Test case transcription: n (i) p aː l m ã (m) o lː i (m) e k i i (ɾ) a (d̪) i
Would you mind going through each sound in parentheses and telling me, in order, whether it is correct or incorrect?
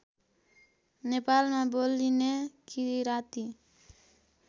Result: incorrect, incorrect, incorrect, correct, incorrect

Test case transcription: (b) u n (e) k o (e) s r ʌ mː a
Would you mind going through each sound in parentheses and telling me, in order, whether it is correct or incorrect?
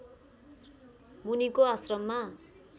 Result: incorrect, incorrect, incorrect

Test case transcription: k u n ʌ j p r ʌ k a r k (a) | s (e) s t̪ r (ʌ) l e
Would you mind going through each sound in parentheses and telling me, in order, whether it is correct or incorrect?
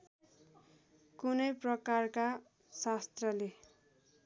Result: correct, incorrect, correct

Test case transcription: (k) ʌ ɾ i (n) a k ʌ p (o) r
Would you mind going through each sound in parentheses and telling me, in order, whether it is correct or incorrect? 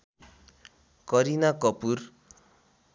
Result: correct, correct, incorrect

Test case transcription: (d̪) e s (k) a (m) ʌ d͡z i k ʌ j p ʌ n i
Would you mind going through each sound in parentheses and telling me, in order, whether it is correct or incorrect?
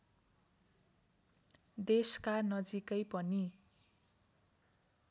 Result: correct, correct, incorrect

